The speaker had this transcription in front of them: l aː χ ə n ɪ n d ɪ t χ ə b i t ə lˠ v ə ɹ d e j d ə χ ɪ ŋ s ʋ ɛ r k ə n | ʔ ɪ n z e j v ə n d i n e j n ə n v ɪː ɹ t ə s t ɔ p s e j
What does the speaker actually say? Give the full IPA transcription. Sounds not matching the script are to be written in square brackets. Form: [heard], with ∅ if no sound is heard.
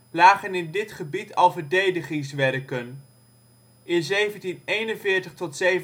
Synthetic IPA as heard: l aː χ ə n ɪ n d ɪ t χ ə b i t [ɑ] lˠ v ə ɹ d e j d ə χ ɪ ŋ s ʋ ɛ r k ə n | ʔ ɪ n z e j v ə n [t] i n e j n ə n v ɪː ɹ t ə [χ] t ɔ [t] s e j